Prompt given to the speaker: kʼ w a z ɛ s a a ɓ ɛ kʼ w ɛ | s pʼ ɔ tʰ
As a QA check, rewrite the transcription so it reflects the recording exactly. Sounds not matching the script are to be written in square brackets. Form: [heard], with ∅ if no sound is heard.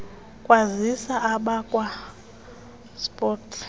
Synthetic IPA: kʼ w a z [i] s a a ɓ [a] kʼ w [a] | s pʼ ɔ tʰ

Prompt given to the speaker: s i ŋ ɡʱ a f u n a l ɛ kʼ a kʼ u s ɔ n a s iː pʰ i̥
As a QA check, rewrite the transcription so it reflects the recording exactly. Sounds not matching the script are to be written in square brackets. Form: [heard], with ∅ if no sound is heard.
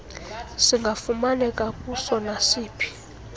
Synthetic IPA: s i ŋ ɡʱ a f u [m] a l ɛ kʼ a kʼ u s ɔ n a s iː pʰ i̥

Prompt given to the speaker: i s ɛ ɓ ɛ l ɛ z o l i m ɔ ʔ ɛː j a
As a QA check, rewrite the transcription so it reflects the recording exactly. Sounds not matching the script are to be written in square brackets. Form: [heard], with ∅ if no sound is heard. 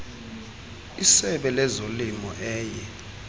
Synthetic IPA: i s ɛ ɓ ɛ l ɛ z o l i m ɔ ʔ ɛː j [ɛ]

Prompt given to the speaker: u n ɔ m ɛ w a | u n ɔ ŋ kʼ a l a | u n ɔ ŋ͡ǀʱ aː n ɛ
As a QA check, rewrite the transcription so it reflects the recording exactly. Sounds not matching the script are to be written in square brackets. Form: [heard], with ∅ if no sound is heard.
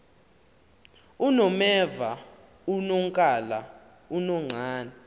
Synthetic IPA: u n ɔ m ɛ [v] a | u n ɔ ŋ kʼ a l a | u n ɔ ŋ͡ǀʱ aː n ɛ

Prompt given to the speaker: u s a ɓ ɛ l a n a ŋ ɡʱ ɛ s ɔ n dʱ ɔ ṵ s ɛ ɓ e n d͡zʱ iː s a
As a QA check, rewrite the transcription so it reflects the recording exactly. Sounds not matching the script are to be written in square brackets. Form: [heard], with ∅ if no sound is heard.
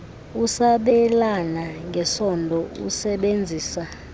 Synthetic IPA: u s a ɓ ɛ l a n a ŋ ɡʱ ɛ s ɔ n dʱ ɔ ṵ s ɛ ɓ e n d͡zʱ iː s a

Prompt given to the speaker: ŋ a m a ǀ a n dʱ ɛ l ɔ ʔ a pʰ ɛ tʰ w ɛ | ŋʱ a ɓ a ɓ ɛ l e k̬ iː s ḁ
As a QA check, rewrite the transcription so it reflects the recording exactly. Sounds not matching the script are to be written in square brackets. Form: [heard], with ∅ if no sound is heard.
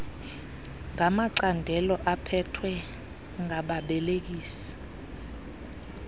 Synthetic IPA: ŋ a m a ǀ a n dʱ ɛ l ɔ ʔ a pʰ ɛ tʰ w ɛ | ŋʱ a ɓ a ɓ ɛ l e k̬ iː s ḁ

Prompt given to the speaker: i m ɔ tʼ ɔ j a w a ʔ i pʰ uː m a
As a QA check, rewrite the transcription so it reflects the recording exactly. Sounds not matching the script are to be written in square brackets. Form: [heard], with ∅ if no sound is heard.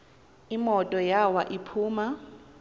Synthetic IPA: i m ɔ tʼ ɔ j a w a ʔ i pʰ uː m a

